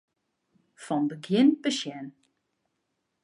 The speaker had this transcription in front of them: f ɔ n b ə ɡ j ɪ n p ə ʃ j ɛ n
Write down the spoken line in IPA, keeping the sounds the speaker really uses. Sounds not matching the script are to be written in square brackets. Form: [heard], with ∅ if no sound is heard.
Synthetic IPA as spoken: f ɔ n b ə ɡ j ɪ n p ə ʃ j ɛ n